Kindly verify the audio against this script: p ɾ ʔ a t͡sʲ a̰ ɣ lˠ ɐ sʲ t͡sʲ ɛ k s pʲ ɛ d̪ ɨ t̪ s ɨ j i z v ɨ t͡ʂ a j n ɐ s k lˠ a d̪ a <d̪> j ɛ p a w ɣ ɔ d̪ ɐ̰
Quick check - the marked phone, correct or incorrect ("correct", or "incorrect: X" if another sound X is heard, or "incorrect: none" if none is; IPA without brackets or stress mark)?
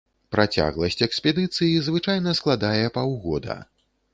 incorrect: none